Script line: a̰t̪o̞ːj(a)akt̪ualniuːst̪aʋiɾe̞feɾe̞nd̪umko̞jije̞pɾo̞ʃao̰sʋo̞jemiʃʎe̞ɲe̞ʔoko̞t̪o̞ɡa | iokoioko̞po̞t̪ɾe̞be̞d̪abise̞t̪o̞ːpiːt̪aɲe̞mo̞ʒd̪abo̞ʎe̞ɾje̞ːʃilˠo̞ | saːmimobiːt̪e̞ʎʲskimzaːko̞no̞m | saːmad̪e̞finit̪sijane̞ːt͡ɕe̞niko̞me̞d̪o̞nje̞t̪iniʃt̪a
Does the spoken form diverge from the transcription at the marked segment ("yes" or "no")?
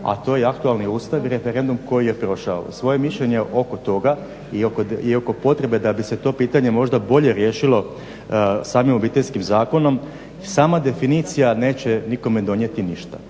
yes